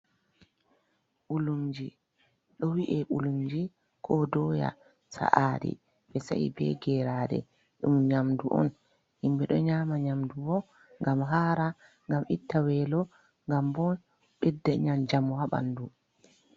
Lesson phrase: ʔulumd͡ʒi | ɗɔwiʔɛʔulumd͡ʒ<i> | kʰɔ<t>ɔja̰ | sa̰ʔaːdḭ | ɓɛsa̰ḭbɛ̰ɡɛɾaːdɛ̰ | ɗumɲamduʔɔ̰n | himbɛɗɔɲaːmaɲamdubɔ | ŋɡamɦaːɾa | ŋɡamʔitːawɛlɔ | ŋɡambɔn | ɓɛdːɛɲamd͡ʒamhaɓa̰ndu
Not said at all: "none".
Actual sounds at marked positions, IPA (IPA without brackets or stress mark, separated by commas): i, d